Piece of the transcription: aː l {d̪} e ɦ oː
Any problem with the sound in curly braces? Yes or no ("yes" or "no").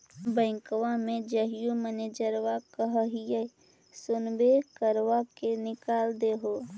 no